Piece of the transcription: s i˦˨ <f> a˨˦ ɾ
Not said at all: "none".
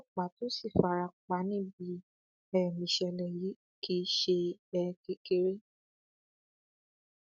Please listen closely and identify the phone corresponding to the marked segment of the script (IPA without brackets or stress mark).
f